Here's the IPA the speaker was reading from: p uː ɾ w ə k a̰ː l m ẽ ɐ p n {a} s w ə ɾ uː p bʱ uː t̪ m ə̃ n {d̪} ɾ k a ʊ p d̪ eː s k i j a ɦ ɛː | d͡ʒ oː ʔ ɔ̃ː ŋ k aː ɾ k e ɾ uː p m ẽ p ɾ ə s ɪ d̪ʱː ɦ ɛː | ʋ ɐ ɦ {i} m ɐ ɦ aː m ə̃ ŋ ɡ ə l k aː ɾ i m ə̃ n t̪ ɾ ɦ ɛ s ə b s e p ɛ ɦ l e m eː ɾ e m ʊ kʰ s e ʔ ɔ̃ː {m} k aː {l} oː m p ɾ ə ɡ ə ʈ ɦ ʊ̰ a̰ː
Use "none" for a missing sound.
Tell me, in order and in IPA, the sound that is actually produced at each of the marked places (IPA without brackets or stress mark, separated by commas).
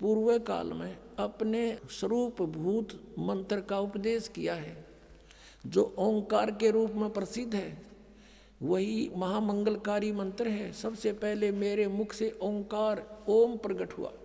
e, t̪, i, ŋ, ɾ